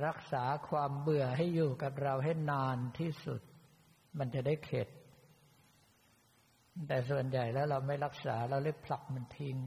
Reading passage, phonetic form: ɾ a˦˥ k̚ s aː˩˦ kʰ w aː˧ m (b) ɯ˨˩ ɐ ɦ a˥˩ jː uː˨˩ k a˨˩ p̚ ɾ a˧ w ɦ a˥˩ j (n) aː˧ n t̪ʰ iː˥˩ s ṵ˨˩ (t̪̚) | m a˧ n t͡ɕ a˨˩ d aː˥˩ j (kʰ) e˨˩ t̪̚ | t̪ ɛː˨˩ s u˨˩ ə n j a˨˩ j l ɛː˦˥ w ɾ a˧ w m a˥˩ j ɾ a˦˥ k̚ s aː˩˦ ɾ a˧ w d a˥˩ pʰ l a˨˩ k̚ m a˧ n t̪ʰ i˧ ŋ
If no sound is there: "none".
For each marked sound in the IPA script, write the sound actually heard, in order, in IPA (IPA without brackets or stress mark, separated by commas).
b, n, t̪̚, kʰ